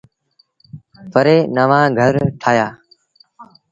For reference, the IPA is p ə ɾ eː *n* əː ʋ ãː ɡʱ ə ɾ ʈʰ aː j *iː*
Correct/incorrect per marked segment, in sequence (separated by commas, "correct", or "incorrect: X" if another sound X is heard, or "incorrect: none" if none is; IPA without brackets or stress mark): correct, incorrect: aː